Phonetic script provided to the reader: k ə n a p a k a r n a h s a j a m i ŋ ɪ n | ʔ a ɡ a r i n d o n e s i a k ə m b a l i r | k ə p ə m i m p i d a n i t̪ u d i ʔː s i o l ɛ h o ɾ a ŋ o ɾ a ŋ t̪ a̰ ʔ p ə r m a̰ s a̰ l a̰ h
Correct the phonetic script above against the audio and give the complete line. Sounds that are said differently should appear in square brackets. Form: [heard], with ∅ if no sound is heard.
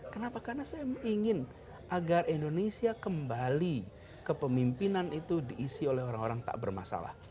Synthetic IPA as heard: k ə n a p a k a r n a [∅] s a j a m i ŋ ɪ n | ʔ a ɡ a r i n d o n e s i a k ə m b a l i [∅] | k ə p ə m i m p i [n] a n i t̪ u d i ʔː s i o l ɛ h o ɾ a ŋ o ɾ a ŋ t̪ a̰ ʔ [b] ə r m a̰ s a̰ l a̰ h

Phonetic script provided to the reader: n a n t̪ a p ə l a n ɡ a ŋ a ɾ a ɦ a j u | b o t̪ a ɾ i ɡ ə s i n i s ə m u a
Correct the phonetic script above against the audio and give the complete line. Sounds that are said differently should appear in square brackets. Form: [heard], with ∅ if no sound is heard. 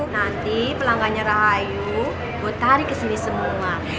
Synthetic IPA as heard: n a n t̪ [i] p ə l a [ŋ] ɡ a [ɲ] a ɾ a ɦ a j u | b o t̪ a ɾ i [k] ə s i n i s ə m u a

